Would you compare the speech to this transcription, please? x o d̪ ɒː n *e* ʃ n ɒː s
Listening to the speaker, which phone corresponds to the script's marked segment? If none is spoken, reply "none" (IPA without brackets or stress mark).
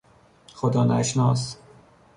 æ